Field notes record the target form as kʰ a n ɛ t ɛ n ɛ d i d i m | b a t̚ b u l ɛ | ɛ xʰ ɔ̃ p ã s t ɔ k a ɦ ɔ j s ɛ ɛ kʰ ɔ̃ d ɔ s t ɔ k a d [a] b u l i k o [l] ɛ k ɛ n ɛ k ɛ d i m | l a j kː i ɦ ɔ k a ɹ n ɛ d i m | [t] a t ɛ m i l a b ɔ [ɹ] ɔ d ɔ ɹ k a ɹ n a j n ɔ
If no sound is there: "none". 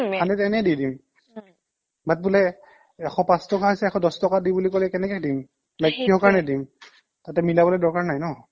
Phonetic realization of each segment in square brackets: i, l, t, l

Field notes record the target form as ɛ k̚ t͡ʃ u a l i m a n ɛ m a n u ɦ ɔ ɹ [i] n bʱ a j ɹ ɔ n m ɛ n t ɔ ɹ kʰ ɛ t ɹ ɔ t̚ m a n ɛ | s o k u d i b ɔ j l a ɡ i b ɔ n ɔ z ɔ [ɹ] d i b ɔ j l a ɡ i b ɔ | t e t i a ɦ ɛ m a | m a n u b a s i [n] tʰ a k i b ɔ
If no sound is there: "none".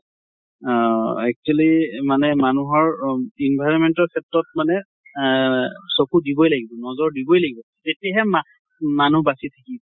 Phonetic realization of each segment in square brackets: i, ɹ, none

